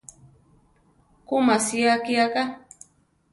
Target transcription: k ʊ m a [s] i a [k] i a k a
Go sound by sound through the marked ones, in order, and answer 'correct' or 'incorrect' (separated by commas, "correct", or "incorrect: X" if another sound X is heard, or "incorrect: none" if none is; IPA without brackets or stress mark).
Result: correct, correct